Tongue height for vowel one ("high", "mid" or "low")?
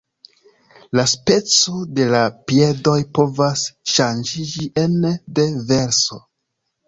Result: low